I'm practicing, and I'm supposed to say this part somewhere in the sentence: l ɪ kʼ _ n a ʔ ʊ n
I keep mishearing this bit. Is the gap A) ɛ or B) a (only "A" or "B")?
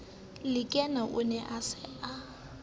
A